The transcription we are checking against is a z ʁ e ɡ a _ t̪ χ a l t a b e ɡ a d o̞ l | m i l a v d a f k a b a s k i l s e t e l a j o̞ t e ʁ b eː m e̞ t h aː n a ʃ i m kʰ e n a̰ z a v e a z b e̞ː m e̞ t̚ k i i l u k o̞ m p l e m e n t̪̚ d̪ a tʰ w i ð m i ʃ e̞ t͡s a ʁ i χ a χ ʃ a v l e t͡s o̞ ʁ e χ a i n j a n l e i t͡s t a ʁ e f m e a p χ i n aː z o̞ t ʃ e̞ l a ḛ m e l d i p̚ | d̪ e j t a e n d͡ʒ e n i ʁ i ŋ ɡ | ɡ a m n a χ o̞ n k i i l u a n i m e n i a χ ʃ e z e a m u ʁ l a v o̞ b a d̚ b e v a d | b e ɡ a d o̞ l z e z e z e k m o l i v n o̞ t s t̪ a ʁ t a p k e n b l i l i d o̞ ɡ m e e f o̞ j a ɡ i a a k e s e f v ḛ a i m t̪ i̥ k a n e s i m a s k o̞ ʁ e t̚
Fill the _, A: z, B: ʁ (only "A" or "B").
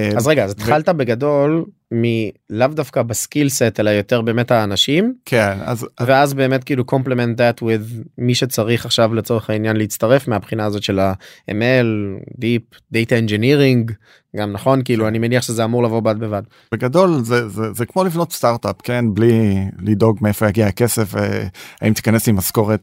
A